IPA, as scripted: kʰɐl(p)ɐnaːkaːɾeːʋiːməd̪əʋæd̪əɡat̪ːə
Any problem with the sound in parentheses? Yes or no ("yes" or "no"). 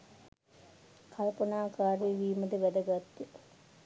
no